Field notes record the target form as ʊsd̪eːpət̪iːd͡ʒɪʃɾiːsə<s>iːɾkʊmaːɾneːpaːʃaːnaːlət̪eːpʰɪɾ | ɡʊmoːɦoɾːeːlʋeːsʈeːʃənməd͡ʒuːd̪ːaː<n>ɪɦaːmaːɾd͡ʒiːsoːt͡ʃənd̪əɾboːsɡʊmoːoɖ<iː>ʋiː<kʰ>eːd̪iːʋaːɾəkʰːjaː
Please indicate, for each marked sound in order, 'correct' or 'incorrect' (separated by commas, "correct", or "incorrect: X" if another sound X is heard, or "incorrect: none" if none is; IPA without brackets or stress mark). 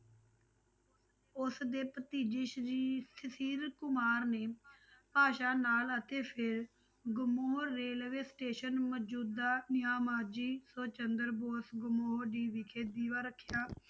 correct, correct, correct, correct